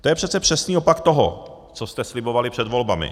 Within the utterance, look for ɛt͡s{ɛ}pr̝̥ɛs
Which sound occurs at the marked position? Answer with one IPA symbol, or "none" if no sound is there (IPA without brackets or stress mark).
ɛ